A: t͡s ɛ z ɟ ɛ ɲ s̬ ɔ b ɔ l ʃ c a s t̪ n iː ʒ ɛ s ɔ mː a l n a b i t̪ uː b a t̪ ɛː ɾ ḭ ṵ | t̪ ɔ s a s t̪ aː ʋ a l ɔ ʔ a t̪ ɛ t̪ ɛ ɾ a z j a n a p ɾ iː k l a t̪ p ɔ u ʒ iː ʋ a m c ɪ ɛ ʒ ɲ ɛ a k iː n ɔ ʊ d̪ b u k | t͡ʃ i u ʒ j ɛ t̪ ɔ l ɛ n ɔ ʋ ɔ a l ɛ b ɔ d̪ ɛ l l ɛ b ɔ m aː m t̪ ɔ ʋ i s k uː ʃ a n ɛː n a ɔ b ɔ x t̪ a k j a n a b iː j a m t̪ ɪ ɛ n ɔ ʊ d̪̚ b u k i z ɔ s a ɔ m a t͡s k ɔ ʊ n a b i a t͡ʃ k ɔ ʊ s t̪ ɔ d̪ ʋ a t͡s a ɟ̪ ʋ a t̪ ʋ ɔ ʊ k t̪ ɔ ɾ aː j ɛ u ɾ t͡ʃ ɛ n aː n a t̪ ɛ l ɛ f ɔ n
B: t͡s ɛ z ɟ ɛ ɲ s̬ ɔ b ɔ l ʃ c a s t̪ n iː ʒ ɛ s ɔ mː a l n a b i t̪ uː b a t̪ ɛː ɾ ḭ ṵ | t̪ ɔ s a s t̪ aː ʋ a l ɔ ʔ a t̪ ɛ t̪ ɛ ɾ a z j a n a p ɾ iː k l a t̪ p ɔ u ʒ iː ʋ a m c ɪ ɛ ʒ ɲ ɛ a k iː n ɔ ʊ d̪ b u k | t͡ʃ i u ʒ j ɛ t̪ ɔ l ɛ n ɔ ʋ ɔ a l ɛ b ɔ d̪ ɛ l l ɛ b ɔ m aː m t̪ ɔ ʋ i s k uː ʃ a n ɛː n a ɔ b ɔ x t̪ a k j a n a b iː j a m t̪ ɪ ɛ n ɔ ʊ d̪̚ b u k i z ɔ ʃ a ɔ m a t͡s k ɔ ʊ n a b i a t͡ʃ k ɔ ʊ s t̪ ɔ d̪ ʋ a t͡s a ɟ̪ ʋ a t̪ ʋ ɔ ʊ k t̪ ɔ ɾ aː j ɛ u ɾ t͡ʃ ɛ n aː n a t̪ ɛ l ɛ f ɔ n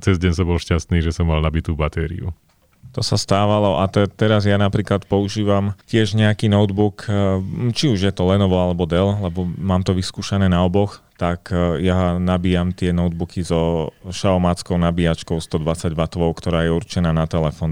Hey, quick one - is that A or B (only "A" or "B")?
B